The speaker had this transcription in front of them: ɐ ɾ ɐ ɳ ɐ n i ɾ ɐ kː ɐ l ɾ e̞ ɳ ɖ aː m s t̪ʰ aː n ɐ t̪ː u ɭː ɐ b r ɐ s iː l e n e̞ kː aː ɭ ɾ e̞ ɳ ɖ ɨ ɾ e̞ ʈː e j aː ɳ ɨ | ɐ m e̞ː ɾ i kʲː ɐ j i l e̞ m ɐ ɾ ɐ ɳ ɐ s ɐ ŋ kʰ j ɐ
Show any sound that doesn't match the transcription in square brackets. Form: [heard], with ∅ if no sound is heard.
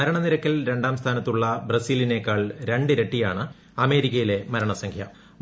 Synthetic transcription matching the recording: ɐ ɾ ɐ ɳ ɐ n i ɾ ɐ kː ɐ l ɾ e̞ ɳ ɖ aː m s t̪ʰ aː n ɐ t̪ː u ɭː ɐ b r ɐ s iː l [i] n e̞ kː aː ɭ ɾ e̞ ɳ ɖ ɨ ɾ e̞ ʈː [i] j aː ɳ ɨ | ɐ m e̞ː ɾ i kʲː ɐ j i l e̞ m ɐ ɾ ɐ ɳ ɐ s ɐ ŋ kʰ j ɐ